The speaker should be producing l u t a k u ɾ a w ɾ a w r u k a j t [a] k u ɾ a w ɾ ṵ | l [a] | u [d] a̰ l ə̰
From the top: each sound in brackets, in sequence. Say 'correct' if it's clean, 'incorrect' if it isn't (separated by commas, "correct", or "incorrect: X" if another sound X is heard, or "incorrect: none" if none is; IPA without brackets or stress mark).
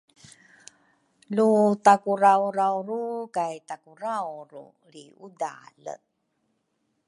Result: correct, incorrect: i, correct